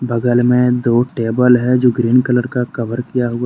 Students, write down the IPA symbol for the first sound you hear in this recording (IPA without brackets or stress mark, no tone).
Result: b